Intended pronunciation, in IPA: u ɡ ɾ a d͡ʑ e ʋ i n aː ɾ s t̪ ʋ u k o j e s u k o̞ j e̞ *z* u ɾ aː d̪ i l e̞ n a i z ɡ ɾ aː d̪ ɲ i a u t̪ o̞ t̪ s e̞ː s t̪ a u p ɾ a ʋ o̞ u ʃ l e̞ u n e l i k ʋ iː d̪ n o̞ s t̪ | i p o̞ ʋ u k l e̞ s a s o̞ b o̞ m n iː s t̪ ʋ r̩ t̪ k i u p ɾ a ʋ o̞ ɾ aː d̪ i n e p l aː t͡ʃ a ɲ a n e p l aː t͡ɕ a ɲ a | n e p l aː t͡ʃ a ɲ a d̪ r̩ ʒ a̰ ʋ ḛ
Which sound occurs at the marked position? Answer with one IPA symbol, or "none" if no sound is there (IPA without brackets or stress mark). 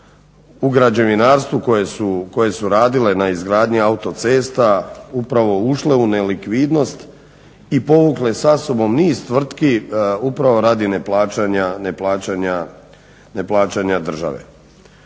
s